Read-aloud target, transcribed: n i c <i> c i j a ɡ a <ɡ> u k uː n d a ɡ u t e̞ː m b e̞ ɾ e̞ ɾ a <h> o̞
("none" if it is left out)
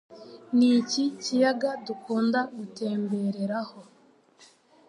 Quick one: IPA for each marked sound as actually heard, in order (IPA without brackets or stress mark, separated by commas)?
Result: i, d, h